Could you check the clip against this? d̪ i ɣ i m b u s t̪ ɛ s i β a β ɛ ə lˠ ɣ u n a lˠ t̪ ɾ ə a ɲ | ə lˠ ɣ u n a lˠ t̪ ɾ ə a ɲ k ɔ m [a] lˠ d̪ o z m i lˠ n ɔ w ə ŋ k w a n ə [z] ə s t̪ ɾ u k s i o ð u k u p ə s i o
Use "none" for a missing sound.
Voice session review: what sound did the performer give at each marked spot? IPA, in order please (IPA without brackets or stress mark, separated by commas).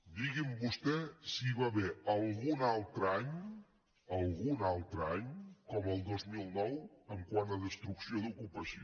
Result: ə, ð